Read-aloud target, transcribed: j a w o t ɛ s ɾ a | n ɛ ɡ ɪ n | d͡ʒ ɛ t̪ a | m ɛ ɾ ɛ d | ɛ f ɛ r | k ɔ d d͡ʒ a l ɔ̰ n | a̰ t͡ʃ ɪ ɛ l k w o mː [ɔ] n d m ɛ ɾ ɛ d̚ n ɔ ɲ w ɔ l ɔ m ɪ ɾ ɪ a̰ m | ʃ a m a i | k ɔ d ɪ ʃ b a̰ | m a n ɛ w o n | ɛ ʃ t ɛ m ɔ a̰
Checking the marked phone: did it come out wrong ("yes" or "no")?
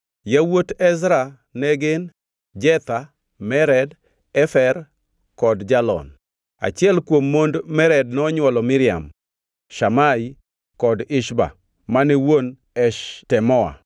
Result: yes